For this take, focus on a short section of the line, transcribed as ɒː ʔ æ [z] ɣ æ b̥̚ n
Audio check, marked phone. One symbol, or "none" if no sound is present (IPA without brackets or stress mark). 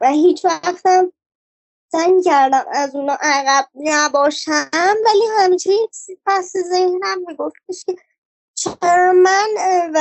none